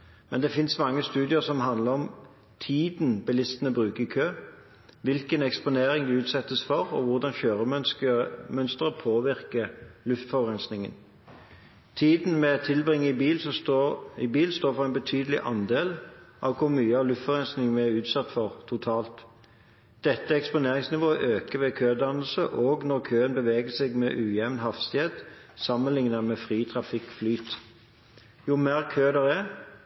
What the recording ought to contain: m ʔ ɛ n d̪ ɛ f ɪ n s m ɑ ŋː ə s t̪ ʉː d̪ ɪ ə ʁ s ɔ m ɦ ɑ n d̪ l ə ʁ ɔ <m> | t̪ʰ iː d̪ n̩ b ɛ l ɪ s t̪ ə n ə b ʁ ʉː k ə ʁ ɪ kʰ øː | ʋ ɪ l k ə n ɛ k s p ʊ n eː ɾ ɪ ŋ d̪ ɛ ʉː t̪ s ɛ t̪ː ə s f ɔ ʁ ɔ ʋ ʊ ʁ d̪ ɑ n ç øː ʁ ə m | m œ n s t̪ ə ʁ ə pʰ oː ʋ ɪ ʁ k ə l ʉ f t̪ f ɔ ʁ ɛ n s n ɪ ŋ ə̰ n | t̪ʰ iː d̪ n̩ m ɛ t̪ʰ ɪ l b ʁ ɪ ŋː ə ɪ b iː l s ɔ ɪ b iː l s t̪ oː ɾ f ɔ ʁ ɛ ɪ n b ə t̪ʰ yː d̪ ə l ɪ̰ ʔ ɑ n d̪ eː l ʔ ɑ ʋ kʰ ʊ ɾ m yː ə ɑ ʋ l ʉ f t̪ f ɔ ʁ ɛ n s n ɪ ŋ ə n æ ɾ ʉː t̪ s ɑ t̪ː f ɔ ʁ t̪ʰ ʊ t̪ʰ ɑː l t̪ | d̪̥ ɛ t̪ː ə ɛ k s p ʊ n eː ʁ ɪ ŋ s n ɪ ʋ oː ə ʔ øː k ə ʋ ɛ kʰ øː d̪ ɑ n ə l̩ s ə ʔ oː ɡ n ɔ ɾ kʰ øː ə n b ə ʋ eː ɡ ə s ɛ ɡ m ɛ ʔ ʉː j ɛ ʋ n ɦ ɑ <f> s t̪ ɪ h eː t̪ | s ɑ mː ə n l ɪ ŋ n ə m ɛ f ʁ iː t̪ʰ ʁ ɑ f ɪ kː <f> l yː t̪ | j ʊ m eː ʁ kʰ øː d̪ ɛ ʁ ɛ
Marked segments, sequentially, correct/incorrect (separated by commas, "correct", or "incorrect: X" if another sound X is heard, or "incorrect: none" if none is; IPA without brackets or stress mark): correct, correct, correct